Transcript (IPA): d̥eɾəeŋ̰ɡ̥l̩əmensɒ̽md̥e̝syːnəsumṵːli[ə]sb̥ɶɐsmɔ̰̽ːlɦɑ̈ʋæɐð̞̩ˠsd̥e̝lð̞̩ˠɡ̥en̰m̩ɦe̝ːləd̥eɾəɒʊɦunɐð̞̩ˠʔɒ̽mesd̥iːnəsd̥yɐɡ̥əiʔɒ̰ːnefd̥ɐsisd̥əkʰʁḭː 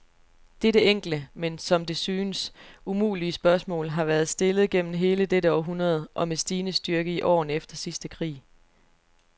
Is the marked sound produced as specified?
yes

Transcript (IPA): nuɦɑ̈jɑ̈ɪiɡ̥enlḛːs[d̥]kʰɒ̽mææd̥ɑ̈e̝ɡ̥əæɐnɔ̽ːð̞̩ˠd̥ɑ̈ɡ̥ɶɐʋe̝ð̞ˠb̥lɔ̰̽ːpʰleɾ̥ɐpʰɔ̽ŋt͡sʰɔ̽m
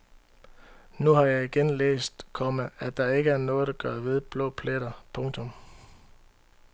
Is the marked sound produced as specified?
yes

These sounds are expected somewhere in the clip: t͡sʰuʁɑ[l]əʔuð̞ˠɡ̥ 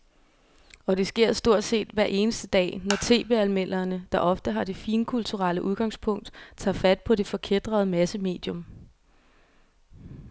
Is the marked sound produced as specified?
yes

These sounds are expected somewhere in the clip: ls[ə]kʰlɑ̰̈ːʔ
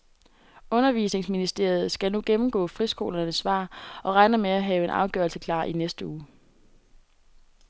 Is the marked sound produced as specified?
yes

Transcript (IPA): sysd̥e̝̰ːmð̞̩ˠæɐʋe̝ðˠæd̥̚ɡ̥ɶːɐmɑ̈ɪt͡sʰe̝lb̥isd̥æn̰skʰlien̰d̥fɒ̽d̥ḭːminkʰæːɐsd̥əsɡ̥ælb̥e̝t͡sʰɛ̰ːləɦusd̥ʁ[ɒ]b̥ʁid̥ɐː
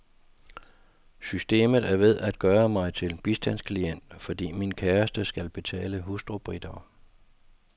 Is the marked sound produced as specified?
no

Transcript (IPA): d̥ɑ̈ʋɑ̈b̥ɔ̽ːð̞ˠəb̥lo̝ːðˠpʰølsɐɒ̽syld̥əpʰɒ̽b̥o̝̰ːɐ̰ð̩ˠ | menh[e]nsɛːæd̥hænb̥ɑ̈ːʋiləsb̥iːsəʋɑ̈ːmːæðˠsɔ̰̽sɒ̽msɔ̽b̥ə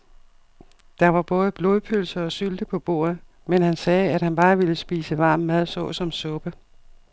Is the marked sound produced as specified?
no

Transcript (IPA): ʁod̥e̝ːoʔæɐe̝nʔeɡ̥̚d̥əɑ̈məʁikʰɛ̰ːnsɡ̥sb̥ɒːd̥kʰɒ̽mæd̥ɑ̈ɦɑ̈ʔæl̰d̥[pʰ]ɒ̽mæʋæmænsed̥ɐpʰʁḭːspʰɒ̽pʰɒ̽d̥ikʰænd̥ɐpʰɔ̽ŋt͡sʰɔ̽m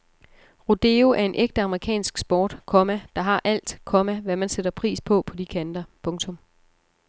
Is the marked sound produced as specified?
no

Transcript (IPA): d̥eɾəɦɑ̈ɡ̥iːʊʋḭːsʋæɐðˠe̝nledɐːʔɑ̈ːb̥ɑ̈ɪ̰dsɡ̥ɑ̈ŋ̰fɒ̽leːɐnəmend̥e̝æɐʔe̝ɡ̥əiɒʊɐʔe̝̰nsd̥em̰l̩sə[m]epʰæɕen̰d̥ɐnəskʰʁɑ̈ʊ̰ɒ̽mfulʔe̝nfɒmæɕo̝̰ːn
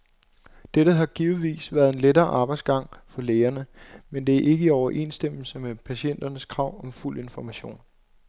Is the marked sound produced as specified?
yes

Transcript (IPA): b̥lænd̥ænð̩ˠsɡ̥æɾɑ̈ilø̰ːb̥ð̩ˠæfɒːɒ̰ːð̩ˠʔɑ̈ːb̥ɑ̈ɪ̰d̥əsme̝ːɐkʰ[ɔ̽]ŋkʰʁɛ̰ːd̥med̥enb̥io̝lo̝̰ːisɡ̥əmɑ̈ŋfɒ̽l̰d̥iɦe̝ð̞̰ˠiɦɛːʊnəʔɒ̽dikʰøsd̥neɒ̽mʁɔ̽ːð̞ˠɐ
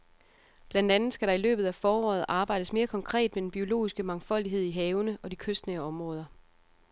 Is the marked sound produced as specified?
no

